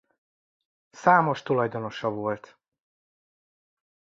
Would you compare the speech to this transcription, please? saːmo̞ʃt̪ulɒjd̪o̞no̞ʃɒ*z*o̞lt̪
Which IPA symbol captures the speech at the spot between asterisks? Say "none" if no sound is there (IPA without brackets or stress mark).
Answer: v